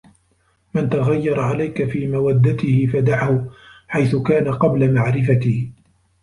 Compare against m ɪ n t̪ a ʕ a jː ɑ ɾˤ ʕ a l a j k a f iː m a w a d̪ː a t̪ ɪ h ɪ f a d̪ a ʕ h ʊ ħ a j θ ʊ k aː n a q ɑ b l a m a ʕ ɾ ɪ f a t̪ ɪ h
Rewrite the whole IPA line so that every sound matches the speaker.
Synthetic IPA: m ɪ n t̪ a ɣ a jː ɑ ɾˤ ʕ a l a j k a f iː m a w a d̪ː a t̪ ɪ h ɪ f a d̪ a ʕ h ʊ ħ a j θ ʊ k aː n a q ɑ b l a m a ʕ ɾ ɪ f a t̪ ɪ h